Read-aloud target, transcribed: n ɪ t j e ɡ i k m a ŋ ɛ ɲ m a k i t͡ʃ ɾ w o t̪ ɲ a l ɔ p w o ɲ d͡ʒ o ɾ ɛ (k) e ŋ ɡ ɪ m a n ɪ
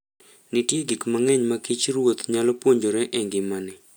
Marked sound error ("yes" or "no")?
yes